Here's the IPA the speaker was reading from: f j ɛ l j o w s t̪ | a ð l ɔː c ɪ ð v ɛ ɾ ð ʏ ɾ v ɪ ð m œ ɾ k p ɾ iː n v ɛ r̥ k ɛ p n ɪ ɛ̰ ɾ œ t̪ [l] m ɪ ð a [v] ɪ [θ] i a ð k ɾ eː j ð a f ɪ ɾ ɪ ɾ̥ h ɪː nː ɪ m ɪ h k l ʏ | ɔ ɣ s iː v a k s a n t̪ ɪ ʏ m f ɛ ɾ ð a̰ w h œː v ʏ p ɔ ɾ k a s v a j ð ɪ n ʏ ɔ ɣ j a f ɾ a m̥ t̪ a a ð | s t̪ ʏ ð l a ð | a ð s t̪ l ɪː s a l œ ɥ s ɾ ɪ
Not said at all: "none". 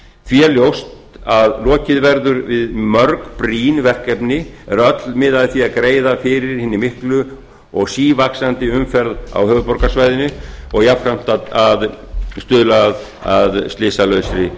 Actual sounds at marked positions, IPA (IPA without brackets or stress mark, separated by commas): l, ð, θ